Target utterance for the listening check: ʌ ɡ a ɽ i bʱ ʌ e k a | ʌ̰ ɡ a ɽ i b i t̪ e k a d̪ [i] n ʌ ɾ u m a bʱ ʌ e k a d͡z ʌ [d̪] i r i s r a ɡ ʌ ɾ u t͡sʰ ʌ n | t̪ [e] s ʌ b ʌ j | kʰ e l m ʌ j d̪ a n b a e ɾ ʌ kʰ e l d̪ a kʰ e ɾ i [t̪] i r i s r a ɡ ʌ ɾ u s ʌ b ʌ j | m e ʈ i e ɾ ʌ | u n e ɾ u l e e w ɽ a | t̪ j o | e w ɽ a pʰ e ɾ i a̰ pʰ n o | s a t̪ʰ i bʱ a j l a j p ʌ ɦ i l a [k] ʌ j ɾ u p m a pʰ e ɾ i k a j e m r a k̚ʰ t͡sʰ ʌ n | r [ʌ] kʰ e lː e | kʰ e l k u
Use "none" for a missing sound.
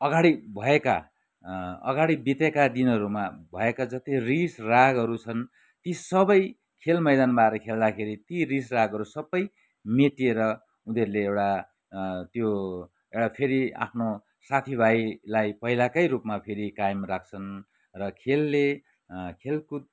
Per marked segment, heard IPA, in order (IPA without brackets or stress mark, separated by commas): i, t̪, i, t̪, k, ʌ